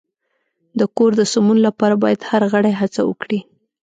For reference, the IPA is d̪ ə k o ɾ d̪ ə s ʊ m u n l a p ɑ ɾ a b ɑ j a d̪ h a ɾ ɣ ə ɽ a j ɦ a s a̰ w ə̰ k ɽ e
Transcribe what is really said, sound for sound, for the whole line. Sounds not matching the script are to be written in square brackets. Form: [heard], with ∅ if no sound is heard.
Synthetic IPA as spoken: d̪ ə k o ɾ d̪ ə s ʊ m u n l a p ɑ ɾ a b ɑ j a d̪ h a ɾ ɣ ə ɽ a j ɦ a [t͡s] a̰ w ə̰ k ɽ [i]